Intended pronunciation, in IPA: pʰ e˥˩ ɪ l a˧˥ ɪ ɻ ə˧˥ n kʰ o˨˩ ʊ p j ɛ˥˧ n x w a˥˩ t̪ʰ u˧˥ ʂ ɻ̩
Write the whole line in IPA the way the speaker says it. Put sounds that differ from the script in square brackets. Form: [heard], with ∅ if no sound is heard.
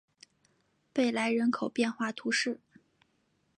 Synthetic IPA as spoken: [p] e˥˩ ɪ l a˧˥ ɪ ɻ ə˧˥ n kʰ o˨˩ ʊ p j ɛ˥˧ n x w a˥˩ t̪ʰ u˧˥ ʂ ɻ̩